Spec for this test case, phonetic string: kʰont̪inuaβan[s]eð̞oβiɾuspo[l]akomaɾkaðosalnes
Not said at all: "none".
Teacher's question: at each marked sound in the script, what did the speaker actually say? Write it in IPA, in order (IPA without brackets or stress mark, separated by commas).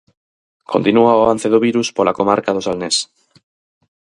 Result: θ, l